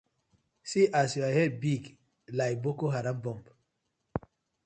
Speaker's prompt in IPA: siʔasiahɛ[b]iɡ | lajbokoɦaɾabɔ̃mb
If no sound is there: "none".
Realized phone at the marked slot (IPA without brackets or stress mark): b